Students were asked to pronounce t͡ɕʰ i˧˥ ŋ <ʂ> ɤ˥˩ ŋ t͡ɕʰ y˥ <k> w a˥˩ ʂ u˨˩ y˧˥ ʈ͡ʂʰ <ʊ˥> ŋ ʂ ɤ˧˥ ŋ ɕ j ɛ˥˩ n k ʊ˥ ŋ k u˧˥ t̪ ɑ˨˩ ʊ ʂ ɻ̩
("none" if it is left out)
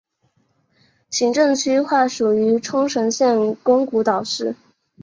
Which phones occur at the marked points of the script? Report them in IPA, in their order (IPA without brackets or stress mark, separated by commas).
ʈ͡ʂ, x, ʊ˥